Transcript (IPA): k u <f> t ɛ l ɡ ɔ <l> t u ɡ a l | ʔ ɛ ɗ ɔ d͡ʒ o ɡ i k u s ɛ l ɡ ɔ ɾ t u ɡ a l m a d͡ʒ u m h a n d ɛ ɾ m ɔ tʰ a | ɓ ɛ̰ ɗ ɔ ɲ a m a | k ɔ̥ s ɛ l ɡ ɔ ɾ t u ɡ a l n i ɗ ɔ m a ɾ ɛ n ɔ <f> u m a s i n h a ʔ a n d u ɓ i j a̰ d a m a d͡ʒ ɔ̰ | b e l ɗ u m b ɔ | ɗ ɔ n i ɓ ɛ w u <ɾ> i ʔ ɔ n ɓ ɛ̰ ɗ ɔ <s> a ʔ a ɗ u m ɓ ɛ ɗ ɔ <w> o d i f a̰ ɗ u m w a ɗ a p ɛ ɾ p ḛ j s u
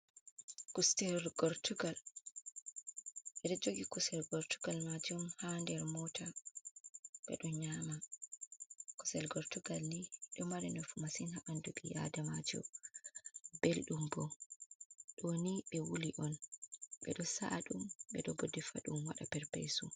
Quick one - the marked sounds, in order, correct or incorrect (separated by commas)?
incorrect, incorrect, correct, incorrect, correct, incorrect